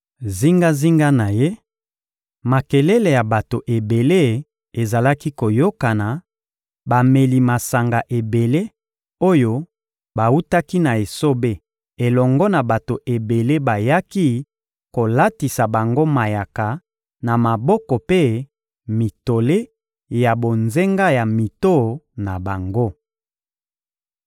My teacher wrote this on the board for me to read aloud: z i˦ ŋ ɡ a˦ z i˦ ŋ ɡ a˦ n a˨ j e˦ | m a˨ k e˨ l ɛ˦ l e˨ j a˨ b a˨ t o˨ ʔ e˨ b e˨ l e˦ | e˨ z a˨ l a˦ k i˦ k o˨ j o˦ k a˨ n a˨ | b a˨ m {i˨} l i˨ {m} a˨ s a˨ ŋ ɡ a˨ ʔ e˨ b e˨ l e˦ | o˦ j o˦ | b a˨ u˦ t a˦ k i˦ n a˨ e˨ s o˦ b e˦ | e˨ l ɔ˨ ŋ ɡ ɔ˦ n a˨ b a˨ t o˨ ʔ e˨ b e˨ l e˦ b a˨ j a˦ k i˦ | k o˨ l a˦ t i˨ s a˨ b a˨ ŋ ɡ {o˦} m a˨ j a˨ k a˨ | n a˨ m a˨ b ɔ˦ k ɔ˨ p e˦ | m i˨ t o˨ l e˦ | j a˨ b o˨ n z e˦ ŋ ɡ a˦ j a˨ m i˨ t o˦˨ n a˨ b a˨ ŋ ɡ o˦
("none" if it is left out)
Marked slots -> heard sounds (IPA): e˨, m, o˦

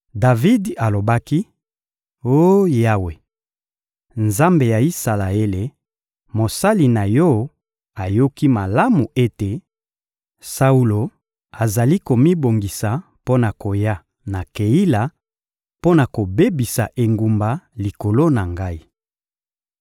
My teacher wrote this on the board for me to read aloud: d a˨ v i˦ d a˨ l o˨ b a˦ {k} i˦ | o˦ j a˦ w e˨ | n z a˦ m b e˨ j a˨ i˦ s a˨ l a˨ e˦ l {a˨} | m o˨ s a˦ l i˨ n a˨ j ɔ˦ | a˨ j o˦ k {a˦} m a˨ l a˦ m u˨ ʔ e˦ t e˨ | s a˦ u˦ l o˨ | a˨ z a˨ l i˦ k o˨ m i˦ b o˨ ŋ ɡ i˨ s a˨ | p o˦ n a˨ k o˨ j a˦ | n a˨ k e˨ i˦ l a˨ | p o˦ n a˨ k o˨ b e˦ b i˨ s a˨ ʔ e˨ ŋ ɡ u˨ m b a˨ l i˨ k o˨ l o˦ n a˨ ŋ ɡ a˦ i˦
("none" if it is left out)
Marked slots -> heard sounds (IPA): k, e˨, i˦

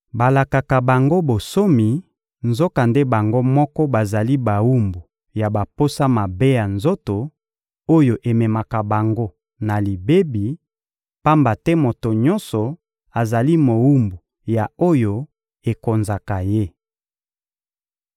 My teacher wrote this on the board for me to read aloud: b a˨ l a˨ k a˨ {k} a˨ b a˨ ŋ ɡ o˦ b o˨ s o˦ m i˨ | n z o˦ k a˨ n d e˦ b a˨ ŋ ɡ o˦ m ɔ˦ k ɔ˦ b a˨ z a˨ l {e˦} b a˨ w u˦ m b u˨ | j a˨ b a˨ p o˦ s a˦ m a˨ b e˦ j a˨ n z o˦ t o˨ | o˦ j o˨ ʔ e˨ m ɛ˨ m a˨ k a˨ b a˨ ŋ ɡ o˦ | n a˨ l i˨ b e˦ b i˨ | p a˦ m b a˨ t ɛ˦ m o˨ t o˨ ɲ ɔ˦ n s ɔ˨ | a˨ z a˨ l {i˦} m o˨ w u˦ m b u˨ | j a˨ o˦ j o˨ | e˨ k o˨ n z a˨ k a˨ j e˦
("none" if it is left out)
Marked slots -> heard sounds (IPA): k, i˦, i˦

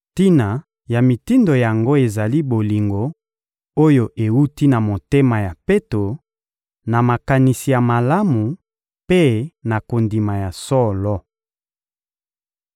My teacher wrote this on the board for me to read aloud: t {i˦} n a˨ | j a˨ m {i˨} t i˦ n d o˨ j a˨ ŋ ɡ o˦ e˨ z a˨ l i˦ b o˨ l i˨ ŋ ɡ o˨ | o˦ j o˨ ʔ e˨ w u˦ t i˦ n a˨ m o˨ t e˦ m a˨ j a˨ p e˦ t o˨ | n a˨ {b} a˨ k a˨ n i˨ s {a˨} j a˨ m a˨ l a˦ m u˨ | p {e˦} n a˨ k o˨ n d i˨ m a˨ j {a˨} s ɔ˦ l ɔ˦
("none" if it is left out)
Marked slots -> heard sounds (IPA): i˦, i˨, m, i˨, e˦, a˨

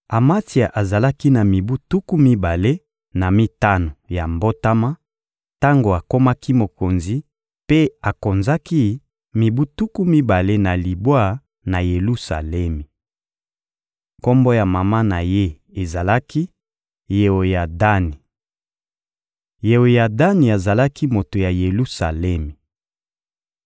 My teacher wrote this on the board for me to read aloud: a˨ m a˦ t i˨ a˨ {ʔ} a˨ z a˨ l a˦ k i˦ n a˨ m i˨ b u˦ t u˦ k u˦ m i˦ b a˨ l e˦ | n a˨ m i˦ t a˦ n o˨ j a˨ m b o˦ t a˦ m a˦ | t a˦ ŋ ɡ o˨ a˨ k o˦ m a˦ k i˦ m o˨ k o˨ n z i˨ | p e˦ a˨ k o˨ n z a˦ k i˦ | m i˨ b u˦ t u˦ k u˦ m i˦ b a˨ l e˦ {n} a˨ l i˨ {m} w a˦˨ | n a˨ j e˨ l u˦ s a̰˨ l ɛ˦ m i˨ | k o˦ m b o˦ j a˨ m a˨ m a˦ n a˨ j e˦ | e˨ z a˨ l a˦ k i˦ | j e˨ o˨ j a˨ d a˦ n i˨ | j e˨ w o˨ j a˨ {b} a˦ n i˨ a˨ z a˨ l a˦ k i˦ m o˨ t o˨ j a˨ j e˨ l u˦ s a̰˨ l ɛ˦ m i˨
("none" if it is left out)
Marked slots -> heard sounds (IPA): ʔ, n, b, d

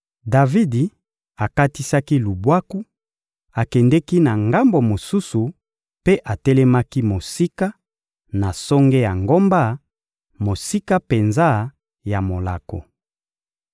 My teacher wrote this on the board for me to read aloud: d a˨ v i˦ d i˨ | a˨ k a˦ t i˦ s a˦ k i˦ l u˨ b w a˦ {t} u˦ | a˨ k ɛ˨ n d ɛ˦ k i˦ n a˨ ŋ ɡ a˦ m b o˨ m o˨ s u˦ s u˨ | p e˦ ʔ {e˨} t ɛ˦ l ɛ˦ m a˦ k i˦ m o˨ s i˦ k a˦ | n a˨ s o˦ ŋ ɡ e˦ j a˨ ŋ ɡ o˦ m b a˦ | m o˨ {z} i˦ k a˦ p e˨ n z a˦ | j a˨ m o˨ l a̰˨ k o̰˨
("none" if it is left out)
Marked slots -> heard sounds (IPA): k, a˨, s

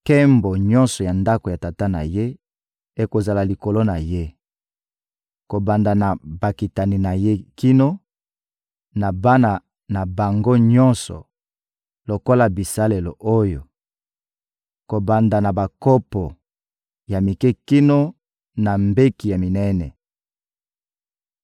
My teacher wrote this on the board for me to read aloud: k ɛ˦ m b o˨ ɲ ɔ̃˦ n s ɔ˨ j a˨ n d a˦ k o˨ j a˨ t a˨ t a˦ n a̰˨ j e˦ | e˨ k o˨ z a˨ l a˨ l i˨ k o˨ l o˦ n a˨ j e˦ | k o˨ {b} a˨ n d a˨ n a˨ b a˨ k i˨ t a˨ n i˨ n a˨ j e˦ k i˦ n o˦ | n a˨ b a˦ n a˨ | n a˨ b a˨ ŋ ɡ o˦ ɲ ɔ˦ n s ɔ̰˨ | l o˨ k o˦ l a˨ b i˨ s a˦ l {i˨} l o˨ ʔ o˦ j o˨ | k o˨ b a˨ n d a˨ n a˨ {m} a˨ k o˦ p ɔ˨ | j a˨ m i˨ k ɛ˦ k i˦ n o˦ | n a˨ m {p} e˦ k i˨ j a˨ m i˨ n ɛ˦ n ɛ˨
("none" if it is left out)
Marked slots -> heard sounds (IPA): b, e˨, b, b

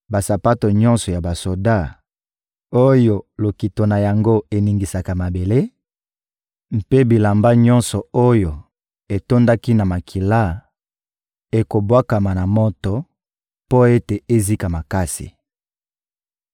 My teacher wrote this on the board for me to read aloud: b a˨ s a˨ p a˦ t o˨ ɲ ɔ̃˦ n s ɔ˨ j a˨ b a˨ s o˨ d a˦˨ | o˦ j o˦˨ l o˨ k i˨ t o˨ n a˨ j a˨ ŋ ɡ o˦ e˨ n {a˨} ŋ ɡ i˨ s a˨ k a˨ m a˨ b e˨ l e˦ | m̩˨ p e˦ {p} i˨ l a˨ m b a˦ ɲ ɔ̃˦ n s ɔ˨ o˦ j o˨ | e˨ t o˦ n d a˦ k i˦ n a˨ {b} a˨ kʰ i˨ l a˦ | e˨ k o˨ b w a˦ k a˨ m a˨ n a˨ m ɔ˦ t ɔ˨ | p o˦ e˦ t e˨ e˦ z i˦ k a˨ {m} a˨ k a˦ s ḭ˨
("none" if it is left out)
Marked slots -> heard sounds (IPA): i˨, b, m, m

